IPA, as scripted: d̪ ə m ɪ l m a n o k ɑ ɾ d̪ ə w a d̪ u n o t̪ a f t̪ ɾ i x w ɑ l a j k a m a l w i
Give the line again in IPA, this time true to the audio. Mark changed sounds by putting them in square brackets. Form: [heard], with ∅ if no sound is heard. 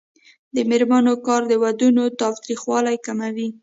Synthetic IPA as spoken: d̪ ə m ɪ [ɾ] m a n o k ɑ ɾ d̪ ə w a d̪ u n o t̪ [ɑ] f t̪ ɾ i x w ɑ l a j k a m a [∅] w i